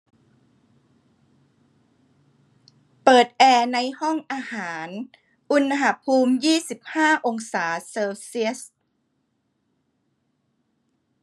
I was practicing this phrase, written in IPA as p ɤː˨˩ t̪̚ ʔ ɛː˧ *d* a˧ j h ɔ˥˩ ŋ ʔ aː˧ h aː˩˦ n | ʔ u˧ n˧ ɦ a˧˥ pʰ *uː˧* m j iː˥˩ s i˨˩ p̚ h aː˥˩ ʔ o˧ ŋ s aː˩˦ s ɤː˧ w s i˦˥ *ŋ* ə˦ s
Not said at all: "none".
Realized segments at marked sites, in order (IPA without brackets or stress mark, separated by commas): n, uː˧, none